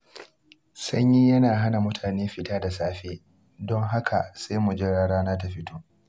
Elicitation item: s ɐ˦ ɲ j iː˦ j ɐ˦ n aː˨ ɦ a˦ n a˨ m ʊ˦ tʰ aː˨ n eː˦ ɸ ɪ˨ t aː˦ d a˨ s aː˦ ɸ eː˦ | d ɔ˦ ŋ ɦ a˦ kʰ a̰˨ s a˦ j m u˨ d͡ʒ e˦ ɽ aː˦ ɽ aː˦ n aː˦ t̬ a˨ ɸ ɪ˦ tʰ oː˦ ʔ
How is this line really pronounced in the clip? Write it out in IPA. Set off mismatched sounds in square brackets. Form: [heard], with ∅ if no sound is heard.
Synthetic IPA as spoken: s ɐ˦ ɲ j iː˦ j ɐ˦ n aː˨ ɦ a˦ n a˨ m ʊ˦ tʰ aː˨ n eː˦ ɸ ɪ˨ t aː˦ d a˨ s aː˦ ɸ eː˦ | d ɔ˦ ŋ ɦ a˦ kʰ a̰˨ s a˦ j m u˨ d͡ʒ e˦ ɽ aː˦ ɽ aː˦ n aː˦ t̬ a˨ ɸ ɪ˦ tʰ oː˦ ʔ

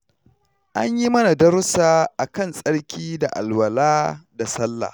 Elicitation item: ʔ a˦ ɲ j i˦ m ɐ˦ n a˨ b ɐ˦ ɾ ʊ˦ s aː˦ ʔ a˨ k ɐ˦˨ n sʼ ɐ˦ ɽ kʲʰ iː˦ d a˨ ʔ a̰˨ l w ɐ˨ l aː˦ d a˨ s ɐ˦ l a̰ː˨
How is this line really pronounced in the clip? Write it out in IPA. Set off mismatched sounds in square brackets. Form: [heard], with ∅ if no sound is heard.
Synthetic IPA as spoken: ʔ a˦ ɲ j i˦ m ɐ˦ n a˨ [d] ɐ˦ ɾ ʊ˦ s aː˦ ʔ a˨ k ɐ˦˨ n sʼ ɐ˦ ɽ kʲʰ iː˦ d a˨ ʔ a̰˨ l w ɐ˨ l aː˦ d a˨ s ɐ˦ [lː] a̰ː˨

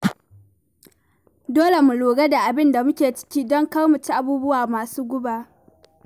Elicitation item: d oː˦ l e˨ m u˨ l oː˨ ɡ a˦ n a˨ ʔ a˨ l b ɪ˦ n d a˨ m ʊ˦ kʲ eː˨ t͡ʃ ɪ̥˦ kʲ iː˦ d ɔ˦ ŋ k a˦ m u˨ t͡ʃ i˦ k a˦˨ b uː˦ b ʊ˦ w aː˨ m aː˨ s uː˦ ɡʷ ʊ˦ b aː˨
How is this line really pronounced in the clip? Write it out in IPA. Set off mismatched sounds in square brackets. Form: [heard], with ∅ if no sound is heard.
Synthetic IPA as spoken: d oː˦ l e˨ m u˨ l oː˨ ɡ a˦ [d] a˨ ʔ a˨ [∅] b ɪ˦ n d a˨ m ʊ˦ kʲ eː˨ t͡ʃ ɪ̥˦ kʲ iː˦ d ɔ˦ ŋ k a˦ m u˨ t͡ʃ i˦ [ʔ] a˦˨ b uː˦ b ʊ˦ w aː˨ m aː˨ s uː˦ ɡʷ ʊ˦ b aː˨

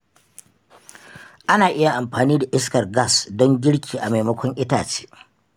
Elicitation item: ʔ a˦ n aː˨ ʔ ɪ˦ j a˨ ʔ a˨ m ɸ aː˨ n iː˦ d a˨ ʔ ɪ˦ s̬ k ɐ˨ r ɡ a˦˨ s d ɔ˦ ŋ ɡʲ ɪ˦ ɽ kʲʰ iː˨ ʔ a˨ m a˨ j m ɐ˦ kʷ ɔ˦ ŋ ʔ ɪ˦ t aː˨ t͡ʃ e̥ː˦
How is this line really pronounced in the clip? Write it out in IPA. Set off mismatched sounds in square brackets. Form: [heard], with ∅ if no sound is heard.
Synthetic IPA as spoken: ʔ a˦ n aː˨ ʔ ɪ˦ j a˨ ʔ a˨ m ɸ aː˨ n iː˦ d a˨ ʔ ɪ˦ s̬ k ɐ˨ r ɡ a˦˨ s d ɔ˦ ŋ ɡʲ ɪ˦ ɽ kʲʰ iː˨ ʔ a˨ m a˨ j m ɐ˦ kʷ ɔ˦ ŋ ʔ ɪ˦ t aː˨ t͡ʃ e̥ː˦

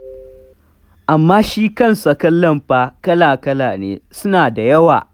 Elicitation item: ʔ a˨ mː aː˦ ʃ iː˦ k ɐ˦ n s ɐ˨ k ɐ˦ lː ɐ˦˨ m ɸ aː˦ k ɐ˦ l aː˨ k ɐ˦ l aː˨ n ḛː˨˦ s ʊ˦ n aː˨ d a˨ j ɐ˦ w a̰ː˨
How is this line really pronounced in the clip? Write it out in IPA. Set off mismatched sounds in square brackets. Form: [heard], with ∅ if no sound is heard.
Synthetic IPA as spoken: ʔ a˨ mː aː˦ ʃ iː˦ k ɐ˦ n s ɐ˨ k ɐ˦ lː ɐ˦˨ m ɸ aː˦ k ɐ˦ l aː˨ k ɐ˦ l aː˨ n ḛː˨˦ s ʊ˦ n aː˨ d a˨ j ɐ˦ w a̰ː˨

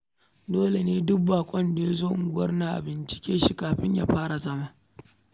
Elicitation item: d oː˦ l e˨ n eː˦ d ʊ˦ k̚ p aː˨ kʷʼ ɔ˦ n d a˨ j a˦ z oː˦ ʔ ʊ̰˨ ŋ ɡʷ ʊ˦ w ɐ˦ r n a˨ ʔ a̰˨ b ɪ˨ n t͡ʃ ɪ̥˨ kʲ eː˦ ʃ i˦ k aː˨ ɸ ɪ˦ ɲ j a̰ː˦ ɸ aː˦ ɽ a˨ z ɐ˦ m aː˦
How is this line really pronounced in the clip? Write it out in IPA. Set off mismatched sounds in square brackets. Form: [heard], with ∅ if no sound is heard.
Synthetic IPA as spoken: d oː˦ l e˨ n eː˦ d ʊ˦ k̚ [b] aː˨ kʷʼ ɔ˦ n d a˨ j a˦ z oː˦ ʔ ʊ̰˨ ŋ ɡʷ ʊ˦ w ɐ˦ r n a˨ ʔ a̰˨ b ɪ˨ n t͡ʃ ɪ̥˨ kʲ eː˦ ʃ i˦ k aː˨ ɸ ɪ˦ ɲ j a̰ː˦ ɸ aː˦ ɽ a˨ z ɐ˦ m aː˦

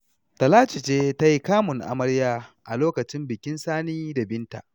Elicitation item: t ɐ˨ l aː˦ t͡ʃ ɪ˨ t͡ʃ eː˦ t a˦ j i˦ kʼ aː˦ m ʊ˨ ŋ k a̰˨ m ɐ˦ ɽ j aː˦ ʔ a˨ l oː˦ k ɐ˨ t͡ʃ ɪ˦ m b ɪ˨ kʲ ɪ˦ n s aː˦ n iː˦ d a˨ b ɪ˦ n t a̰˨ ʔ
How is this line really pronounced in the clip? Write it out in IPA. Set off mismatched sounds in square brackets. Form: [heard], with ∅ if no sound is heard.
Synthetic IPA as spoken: t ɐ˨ l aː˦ t͡ʃ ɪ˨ t͡ʃ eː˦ t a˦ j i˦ [k] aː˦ m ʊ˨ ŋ [ʔ] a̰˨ m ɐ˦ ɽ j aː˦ ʔ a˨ l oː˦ k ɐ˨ t͡ʃ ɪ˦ m b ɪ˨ kʲ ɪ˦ n s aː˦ n iː˦ d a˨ b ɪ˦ n t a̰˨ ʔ

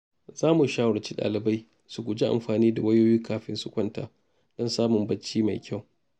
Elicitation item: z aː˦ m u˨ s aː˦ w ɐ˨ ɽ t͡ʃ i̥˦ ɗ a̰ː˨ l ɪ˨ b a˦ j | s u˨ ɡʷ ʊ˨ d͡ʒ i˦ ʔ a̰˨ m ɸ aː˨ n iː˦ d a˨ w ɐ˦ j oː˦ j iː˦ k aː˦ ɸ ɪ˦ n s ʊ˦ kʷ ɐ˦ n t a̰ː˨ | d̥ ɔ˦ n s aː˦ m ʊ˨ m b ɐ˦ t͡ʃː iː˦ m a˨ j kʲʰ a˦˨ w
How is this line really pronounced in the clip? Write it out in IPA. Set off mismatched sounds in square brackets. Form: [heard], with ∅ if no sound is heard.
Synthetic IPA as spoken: z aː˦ m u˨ [ʃ] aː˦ w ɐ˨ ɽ t͡ʃ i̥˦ ɗ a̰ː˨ l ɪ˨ b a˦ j | s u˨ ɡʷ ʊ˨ d͡ʒ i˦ ʔ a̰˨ m ɸ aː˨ n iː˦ d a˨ w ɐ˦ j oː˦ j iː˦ k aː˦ ɸ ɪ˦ n s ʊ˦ kʷ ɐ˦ n t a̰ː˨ | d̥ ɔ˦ n s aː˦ m ʊ˨ m b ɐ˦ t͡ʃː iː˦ m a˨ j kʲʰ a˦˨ w

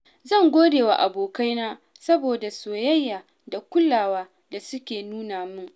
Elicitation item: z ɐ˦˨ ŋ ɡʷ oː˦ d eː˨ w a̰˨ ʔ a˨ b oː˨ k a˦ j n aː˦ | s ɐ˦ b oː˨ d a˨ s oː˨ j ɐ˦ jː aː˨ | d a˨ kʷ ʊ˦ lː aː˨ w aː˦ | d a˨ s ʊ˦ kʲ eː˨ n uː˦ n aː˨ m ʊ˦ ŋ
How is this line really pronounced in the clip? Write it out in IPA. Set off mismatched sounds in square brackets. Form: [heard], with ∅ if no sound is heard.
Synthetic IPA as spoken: z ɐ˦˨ ŋ ɡʷ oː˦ d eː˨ w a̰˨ ʔ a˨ b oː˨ k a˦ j n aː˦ | s ɐ˦ b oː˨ d a˨ s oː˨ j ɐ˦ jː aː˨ | d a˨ kʷ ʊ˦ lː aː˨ w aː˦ | d a˨ s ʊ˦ kʲ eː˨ n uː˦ n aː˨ m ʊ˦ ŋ

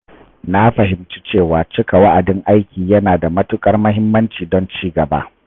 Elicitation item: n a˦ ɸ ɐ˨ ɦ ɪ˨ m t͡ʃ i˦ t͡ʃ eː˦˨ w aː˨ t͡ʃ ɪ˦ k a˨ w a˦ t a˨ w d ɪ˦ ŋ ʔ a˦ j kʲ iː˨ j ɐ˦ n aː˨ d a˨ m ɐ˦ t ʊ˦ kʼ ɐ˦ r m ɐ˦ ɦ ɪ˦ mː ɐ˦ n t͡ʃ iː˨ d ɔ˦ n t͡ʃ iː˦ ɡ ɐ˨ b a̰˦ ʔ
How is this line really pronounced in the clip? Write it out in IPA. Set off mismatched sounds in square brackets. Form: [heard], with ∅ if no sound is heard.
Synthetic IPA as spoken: n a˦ ɸ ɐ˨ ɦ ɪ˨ m t͡ʃ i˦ t͡ʃ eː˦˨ w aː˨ t͡ʃ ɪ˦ k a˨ w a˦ [ʔ] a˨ [∅] d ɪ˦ ŋ ʔ a˦ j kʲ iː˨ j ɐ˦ n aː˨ d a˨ m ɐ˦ t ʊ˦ kʼ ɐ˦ r m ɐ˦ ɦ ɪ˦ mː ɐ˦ n t͡ʃ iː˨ d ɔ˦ n t͡ʃ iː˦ ɡ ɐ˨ b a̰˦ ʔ

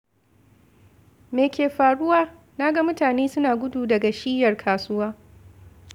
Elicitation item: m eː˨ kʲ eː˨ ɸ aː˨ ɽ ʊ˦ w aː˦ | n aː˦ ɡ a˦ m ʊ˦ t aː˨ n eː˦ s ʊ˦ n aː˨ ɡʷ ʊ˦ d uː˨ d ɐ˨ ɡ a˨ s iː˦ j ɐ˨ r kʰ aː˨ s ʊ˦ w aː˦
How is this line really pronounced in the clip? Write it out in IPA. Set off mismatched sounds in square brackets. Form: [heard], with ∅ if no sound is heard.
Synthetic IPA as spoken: m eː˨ kʲ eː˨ ɸ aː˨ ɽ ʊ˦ w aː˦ | n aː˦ ɡ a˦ m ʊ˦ t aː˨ n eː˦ s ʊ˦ n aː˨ ɡʷ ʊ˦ d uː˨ d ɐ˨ ɡ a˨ [ʃ] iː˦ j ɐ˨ r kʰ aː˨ s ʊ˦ w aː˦

